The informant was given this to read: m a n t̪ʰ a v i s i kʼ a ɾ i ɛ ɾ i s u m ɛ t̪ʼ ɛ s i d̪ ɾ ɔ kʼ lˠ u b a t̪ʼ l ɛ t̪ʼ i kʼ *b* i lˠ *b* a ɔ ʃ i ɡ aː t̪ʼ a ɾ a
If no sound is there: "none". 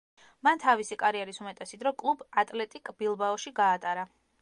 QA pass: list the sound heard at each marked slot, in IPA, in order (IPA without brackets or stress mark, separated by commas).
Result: b, b